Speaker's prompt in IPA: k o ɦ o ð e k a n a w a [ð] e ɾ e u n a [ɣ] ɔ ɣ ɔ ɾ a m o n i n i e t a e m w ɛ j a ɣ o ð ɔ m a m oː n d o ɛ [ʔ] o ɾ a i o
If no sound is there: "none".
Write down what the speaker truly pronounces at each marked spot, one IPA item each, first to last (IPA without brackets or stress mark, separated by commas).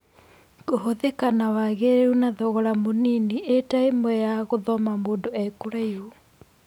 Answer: ɣ, ð, k